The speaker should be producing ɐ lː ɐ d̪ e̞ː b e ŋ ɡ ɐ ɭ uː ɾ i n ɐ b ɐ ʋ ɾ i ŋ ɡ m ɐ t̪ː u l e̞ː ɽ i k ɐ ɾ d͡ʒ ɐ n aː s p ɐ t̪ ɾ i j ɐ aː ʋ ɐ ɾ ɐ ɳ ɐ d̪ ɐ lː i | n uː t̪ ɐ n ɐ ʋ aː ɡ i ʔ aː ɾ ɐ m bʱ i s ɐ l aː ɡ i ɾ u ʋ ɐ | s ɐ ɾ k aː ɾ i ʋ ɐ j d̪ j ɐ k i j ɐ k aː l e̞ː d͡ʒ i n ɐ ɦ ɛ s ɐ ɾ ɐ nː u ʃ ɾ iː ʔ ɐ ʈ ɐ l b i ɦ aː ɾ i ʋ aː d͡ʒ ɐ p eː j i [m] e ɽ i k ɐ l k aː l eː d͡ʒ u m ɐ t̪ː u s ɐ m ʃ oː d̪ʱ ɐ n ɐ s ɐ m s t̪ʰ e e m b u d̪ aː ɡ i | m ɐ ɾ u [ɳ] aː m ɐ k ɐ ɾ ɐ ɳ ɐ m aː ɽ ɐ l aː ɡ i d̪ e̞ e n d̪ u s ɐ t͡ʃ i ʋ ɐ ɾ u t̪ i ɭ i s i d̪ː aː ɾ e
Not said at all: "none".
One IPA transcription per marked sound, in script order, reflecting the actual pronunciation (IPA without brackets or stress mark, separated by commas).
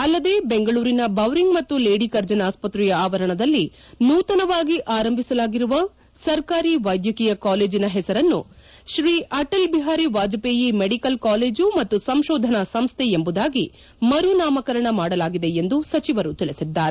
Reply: m, n